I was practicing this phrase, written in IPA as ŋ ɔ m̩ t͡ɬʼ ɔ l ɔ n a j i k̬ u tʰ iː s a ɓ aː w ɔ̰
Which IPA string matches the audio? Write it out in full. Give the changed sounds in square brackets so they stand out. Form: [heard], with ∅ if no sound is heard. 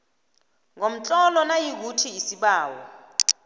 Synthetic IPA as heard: ŋ [o] m̩ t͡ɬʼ ɔ l ɔ n a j i k̬ u tʰ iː s [i] ɓ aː w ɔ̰